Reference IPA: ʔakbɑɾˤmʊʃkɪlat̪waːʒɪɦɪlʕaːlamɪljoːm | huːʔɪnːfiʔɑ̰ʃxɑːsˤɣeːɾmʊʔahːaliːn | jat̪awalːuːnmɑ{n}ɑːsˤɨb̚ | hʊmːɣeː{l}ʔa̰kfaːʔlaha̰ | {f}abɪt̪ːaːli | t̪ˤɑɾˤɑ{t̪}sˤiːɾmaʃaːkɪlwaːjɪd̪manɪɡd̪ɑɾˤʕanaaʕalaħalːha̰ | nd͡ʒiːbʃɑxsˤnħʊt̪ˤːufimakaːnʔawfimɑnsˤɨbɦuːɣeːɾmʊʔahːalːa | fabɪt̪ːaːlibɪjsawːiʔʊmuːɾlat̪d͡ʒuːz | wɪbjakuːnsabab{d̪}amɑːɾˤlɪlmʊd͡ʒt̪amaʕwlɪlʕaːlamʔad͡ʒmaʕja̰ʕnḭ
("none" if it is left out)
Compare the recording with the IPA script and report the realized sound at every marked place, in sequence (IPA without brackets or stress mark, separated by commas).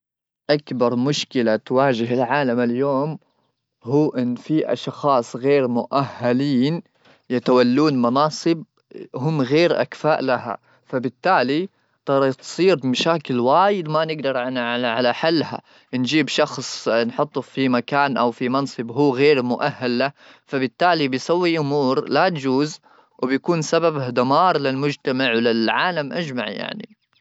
n, ɾ, f, t̪, d̪